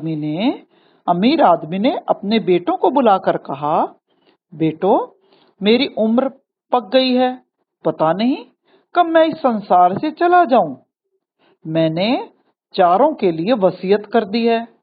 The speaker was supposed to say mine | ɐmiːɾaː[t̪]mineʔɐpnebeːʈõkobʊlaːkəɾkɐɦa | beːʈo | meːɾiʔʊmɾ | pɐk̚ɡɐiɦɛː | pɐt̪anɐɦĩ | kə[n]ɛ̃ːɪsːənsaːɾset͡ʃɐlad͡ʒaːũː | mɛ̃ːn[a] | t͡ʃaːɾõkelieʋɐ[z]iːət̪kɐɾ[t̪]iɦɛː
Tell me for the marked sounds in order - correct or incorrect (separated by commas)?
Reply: incorrect, incorrect, incorrect, incorrect, incorrect